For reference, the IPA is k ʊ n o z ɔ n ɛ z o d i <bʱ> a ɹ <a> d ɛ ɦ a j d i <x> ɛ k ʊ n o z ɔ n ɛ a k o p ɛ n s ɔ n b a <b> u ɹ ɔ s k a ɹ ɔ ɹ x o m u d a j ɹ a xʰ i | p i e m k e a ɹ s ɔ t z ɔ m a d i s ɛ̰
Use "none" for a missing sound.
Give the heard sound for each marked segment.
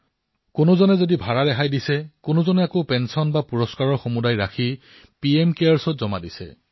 bʱ, a, s, p

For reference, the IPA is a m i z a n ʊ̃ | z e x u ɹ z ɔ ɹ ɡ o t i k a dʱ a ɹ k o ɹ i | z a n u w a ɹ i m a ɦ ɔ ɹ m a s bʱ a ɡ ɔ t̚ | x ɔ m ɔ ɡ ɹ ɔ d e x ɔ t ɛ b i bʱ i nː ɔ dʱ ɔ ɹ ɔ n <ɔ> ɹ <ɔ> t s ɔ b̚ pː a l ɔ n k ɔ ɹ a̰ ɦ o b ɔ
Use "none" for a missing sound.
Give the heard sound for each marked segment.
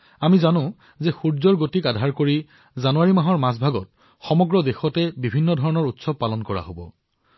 ɔ, u

